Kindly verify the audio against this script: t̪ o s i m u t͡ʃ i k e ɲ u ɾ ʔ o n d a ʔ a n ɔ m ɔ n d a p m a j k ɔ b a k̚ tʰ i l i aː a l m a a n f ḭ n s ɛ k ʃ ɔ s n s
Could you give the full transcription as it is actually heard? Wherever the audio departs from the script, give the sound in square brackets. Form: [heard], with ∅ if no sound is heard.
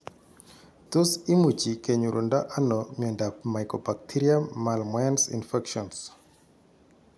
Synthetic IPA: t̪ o s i m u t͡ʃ i k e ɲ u ɾ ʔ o n d a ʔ a n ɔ m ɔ n d a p m a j k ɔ b a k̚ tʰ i [ɾ] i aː a l m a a n [s] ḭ n [f] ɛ k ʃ ɔ [∅] n s